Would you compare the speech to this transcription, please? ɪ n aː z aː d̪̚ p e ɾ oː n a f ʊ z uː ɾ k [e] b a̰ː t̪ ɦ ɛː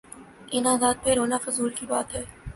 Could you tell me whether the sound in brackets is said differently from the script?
yes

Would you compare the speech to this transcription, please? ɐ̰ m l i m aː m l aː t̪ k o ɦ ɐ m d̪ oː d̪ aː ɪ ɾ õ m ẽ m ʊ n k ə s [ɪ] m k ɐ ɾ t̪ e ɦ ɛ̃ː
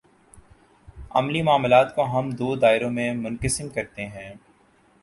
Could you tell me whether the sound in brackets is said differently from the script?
no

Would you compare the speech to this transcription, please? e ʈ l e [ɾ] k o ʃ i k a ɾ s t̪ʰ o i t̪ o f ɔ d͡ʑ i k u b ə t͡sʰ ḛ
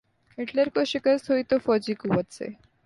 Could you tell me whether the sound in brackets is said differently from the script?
no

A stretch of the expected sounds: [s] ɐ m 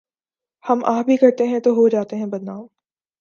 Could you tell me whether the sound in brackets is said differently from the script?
yes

